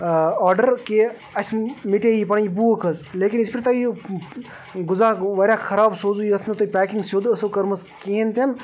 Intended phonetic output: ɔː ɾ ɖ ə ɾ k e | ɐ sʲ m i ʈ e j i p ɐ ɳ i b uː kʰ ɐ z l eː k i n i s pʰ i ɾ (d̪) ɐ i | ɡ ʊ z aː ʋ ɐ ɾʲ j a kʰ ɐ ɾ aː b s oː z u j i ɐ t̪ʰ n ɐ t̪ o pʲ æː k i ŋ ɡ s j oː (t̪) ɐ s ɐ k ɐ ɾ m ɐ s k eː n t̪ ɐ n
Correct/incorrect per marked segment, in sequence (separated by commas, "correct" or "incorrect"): incorrect, incorrect